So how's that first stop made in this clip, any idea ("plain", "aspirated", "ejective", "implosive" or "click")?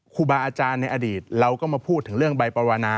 aspirated